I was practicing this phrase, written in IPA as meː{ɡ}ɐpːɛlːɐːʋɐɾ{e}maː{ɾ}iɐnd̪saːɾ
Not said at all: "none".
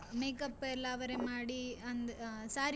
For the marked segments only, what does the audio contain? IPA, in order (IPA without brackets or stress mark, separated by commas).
k, e, ɽ